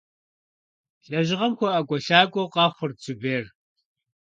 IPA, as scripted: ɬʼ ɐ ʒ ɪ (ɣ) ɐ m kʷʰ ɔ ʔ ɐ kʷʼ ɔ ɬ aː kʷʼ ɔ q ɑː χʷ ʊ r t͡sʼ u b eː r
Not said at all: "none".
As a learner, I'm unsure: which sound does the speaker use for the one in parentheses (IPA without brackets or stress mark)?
ʁ